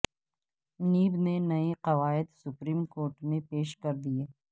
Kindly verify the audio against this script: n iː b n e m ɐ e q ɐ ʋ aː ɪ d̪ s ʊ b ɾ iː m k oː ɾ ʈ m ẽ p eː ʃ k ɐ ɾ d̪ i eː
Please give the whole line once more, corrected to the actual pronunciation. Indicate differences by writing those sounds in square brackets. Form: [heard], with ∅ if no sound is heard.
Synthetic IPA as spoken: n iː b n e [n] ɐ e q ɐ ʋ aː ɪ d̪ s ʊ [p] ɾ iː m k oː ɾ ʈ m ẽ p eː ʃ k ɐ ɾ d̪ i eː